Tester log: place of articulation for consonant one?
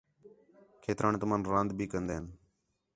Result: velar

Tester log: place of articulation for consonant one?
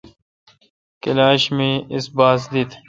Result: velar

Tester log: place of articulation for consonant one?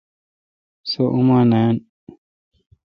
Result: alveolar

